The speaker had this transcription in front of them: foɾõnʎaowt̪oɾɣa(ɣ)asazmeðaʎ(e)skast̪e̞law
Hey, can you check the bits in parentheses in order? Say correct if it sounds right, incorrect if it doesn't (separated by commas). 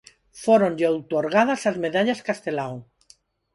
incorrect, incorrect